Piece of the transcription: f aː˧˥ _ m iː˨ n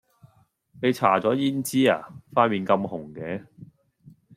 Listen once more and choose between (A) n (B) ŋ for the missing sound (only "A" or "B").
A